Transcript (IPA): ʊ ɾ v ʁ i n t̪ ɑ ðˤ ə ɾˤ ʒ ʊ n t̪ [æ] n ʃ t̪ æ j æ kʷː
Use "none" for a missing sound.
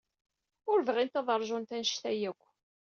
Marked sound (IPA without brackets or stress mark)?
æ